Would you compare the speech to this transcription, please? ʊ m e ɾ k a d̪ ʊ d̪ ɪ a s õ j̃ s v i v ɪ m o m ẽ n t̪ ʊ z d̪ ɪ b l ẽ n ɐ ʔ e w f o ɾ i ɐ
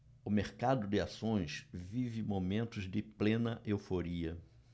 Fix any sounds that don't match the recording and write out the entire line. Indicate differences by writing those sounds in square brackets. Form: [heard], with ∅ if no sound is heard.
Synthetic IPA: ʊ m e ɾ k a d̪ ʊ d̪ ɪ a s õ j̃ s v i v ɪ m o m ẽ n t̪ ʊ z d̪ ɪ [p] l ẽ n ɐ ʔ e w f o ɾ i ɐ

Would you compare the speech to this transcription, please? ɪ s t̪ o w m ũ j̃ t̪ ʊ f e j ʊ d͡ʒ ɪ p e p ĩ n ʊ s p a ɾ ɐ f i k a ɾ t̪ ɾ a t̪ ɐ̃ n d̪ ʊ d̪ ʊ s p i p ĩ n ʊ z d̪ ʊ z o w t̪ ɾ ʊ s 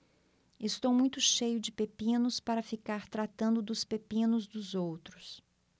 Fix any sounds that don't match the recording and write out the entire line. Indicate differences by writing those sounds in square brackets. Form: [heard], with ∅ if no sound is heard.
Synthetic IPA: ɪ s t̪ o w m ũ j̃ t̪ ʊ [ʃ] e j ʊ d͡ʒ ɪ p e p ĩ n ʊ s p a ɾ ɐ f i k a ɾ t̪ ɾ a t̪ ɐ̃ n d̪ ʊ d̪ ʊ s p [e] p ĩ n ʊ z d̪ ʊ z o w t̪ ɾ ʊ s

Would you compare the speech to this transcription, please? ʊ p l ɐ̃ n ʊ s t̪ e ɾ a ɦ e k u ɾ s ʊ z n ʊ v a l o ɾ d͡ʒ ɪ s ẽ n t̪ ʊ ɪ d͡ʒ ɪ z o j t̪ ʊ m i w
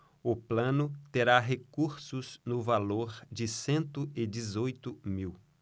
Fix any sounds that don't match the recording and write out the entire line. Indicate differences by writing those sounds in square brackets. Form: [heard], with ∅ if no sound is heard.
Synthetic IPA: ʊ p l ɐ̃ n ʊ [∅] t̪ e ɾ a ɦ e k u ɾ s ʊ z n ʊ v a l o ɾ d͡ʒ ɪ s ẽ n t̪ ʊ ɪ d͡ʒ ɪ z o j t̪ ʊ m i w

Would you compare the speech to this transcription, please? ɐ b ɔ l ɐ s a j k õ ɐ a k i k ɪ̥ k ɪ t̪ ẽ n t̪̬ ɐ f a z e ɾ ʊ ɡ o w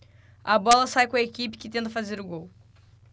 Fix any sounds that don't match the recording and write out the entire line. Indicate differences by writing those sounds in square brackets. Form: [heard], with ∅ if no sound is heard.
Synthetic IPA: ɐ b ɔ l ɐ s a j k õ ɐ [e] k i [p] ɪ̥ k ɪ t̪ ẽ n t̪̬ ɐ f a z e ɾ ʊ ɡ o w

